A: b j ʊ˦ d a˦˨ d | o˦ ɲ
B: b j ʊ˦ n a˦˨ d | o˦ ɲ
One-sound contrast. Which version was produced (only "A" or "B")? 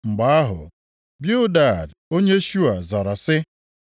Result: A